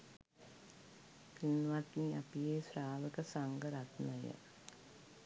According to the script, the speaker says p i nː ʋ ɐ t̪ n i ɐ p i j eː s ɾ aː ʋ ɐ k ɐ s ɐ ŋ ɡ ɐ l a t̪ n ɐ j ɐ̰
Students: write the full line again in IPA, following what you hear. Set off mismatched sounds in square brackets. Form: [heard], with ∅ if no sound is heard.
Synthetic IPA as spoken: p i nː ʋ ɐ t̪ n i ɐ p i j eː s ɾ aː ʋ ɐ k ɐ s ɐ ŋ ɡ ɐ [ɾ] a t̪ n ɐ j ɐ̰